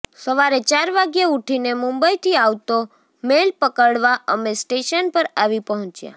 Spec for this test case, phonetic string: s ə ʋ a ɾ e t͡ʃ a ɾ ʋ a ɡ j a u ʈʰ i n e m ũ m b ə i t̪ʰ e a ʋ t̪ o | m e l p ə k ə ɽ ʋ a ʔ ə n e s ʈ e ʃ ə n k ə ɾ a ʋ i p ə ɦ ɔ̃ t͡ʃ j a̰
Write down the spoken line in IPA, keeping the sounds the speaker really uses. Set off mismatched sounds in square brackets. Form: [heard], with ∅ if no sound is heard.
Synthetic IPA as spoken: s ə ʋ a ɾ e t͡ʃ a ɾ ʋ a ɡ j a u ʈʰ i n e m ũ m b ə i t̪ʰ [i] a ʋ t̪ o | m e l p ə k ə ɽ ʋ a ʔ ə [m] e s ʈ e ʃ ə n [p] ə ɾ a ʋ i p ə ɦ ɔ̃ t͡ʃ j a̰